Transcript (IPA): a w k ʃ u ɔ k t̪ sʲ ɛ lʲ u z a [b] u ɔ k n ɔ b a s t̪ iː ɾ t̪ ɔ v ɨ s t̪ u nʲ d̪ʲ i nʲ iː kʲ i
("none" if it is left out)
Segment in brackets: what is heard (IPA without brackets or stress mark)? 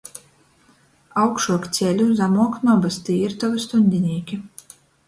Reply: m